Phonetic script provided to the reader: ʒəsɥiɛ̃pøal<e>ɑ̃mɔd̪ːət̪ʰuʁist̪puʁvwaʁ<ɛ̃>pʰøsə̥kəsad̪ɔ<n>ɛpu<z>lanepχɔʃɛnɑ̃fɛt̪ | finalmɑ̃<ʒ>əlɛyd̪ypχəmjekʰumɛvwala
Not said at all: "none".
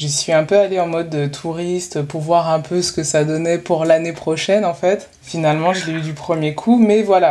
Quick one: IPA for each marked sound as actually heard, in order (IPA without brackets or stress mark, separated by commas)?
e, ɛ̃, n, ʁ, ʒ